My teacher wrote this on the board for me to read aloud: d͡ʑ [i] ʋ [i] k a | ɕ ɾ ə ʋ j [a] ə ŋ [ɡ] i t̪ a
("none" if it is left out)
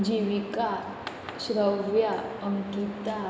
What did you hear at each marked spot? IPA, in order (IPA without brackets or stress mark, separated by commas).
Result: i, i, a, k